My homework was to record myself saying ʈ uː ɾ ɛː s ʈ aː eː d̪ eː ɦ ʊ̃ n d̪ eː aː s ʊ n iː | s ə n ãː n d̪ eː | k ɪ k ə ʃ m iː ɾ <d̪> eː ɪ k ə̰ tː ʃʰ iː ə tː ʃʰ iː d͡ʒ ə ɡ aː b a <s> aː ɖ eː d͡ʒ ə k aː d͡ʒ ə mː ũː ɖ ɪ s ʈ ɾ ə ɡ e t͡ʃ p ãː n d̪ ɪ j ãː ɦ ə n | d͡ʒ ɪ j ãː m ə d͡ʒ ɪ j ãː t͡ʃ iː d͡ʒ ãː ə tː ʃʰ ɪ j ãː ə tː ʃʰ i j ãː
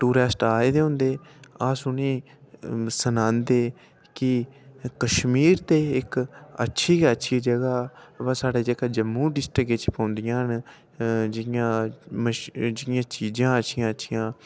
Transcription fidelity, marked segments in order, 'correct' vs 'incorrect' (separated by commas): incorrect, correct